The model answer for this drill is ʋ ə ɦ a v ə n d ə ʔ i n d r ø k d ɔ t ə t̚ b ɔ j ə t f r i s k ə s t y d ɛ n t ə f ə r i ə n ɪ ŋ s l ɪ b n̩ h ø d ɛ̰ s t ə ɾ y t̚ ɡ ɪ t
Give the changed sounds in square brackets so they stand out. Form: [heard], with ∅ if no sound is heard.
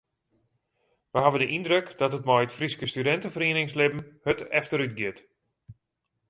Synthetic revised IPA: ʋ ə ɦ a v ə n d ə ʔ i n d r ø k d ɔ t ə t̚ [m] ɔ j ə t f r i s k ə s t y d ɛ n t ə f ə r i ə n ɪ ŋ s l ɪ b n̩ h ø [t] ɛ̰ [f] t ə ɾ y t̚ ɡ ɪ t